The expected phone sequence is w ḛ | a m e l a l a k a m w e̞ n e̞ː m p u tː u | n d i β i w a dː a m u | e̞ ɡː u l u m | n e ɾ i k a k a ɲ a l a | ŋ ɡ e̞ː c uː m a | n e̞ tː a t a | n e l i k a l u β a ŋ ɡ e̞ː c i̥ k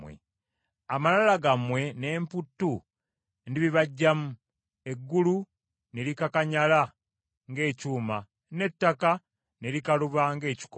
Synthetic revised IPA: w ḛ | a m a l a l a ɡ a m w e̞ n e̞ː m p u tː u | n d i β i β a ɟː a m u | e̞ ɡː u l u | n e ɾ i k a k a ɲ a l a | ŋ ɡ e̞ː c uː m a | n e̞ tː a k a | n e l i k a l u β a ŋ ɡ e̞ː c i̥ k